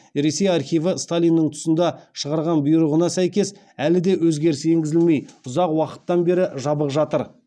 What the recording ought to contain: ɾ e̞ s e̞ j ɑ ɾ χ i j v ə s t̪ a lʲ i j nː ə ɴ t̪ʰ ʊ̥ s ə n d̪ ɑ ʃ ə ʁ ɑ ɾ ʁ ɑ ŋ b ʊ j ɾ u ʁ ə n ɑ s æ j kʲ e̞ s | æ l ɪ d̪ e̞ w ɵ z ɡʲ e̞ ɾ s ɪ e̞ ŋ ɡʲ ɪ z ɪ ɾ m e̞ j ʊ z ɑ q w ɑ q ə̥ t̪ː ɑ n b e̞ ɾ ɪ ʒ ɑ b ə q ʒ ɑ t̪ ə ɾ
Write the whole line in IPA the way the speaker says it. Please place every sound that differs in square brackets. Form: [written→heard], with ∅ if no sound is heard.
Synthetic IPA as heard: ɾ e̞ s e̞ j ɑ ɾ χ i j v ə s t̪ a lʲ i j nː ə ɴ t̪ʰ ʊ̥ s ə n d̪ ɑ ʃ ə ʁ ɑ ɾ ʁ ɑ [ŋ→n] b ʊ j ɾ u ʁ ə n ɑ s æ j kʲ e̞ s | æ l ɪ d̪ e̞ w ɵ z ɡʲ e̞ ɾ s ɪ e̞ ŋ ɡʲ ɪ z ɪ [ɾ→l] m e̞ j ʊ z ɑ q w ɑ q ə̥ t̪ː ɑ n b e̞ ɾ ɪ ʒ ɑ b ə q ʒ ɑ t̪ ə ɾ